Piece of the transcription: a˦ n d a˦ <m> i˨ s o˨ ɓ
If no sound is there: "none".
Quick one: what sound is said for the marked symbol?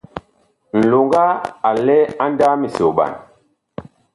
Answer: m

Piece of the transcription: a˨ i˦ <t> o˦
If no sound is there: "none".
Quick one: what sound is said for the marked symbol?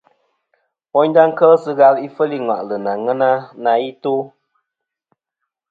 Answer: t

